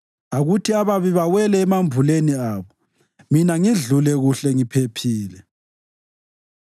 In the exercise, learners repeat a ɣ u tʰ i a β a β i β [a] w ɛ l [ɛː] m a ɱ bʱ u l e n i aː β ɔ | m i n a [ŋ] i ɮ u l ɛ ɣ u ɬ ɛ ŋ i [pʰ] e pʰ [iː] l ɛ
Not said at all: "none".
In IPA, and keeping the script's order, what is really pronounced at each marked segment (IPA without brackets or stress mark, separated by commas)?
a, ɛː, ŋ, pʰ, iː